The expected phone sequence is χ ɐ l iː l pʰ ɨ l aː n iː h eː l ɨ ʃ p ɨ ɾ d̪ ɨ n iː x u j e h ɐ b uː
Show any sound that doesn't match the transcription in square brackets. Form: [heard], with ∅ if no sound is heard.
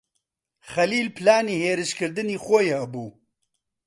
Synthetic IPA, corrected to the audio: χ ɐ l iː l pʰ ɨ l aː n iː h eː [ɾ] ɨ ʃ [k] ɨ ɾ d̪ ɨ n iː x [o] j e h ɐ b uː